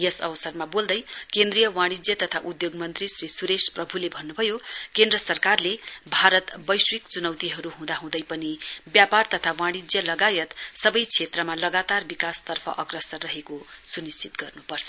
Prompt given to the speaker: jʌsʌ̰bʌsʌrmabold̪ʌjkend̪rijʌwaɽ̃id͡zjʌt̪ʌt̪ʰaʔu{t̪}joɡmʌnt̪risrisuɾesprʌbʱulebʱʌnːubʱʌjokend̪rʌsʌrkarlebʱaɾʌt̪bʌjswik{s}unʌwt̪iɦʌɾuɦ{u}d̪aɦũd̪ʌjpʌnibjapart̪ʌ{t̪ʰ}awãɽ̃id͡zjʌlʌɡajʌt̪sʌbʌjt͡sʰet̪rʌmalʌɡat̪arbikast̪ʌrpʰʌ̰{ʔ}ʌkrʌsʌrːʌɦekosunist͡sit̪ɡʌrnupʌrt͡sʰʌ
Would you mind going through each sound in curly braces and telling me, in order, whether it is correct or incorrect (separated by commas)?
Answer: incorrect, incorrect, incorrect, correct, correct